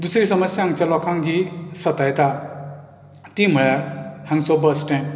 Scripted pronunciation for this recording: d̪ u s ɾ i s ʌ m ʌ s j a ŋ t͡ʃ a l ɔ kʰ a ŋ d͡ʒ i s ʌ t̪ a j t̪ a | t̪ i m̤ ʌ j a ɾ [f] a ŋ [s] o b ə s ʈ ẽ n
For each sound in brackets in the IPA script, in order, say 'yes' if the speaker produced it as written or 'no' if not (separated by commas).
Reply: no, yes